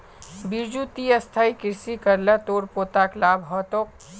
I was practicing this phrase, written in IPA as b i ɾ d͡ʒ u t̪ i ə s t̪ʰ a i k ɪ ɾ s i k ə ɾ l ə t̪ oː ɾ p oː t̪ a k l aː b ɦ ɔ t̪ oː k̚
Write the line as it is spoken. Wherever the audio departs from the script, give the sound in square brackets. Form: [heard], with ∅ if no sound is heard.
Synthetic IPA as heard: b i ɾ d͡ʒ u t̪ i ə s t̪ʰ a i k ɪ ɾ s i k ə ɾ l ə t̪ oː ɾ p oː t̪ a k l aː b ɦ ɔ t̪ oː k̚

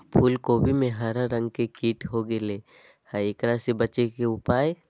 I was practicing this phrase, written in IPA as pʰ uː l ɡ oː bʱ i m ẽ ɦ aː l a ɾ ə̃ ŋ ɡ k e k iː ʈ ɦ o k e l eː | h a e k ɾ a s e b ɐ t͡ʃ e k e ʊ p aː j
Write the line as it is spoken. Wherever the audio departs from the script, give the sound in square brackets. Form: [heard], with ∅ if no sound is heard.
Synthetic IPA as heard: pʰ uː l [k] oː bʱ i m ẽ ɦ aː [ɾ] a ɾ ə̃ ŋ ɡ k e k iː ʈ ɦ o [ɡ] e l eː | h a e k ɾ a s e b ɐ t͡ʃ e k e ʊ p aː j

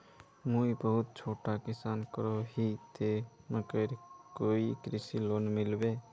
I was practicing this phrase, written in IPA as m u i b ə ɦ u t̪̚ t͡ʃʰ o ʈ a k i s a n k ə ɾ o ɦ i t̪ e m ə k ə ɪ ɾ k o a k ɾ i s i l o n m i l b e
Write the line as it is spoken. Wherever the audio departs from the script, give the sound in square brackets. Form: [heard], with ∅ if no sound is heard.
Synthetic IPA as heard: m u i b ə ɦ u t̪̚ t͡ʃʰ o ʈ a k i s a n k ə ɾ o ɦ i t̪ e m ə k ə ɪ ɾ k o [i] k ɾ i s i l o n m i l b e

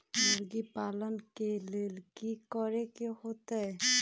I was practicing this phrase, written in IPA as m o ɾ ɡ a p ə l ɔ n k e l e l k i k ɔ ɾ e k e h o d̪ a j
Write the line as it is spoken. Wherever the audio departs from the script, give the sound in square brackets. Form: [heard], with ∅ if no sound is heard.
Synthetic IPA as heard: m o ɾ ɡ [i] p [a] l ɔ n k e l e l k i k ɔ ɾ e k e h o [t̪] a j

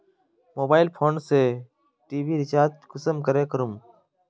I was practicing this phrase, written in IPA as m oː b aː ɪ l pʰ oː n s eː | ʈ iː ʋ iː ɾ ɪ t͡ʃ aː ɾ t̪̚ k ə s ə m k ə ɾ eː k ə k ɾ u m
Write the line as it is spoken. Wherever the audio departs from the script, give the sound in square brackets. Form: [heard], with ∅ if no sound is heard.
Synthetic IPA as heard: m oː b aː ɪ l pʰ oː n s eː | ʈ iː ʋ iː ɾ ɪ t͡ʃ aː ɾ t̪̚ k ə s ə m k ə ɾ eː k ə [∅] ɾ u m

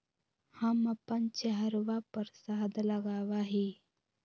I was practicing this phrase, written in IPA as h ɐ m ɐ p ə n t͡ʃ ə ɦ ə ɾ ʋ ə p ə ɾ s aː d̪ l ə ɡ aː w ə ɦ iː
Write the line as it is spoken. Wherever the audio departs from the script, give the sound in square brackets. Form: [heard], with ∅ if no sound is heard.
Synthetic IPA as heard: h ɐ m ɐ p ə n t͡ʃ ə ɦ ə ɾ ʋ [a] p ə ɾ s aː d̪ l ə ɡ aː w [a] ɦ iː

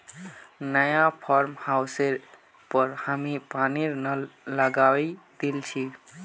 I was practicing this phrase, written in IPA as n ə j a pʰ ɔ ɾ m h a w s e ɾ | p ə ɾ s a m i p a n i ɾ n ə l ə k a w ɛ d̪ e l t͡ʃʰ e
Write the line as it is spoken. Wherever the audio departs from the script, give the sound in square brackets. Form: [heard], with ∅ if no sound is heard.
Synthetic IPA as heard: n ə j a pʰ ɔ ɾ m h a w s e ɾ | p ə ɾ [h] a m i p a n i ɾ n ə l ə [ɡ] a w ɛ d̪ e l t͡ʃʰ [i]

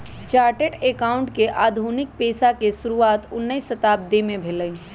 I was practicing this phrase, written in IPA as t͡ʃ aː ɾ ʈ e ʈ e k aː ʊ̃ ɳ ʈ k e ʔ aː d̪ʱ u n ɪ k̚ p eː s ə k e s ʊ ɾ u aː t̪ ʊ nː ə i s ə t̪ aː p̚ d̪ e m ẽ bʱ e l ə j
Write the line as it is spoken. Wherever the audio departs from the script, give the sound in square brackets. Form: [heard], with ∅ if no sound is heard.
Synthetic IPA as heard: t͡ʃ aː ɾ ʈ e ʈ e k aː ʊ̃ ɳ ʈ k e ʔ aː d̪ʱ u n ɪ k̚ p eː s [a] k e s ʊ ɾ u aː t̪ ʊ nː ə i s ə t̪ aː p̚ d̪ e m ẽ bʱ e l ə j

